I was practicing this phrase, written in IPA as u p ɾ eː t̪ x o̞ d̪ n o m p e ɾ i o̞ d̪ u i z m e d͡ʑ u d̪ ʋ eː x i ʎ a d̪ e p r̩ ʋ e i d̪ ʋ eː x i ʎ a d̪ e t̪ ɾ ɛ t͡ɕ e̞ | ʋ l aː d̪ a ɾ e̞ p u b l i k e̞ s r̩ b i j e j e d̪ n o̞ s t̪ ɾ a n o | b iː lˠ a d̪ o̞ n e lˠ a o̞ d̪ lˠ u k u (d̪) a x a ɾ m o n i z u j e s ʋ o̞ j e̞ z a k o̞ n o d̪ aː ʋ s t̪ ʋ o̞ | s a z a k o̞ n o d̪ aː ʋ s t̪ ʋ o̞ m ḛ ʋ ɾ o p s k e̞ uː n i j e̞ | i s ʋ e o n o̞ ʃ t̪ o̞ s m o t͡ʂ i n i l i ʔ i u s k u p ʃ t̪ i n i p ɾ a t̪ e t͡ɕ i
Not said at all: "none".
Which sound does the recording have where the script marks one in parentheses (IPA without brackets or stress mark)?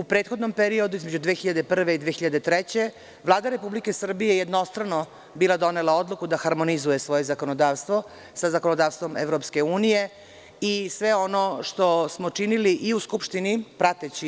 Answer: d̪